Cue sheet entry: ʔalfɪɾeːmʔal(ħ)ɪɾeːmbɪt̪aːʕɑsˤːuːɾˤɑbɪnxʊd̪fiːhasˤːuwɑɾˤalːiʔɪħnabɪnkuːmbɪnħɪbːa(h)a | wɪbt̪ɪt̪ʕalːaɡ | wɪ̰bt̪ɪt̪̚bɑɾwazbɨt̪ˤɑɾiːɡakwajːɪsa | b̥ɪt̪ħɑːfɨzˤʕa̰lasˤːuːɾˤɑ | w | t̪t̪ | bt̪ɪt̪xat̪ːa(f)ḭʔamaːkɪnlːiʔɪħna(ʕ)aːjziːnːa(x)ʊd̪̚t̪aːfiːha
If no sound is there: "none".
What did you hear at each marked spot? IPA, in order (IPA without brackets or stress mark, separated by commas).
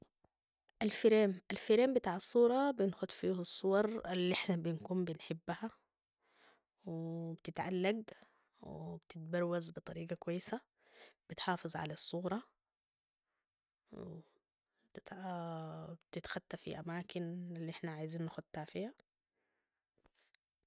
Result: f, h, f, ʕ, x